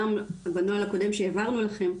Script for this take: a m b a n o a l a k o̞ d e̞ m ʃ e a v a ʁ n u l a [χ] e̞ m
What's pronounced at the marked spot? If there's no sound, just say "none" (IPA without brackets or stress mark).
χ